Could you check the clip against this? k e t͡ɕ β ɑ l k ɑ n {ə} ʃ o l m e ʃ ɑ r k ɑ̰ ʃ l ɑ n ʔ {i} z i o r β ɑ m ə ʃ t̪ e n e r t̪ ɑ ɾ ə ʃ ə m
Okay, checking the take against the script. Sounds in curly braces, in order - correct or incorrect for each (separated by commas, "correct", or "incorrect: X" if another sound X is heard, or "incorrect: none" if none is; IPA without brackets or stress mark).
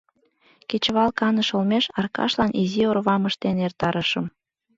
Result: correct, correct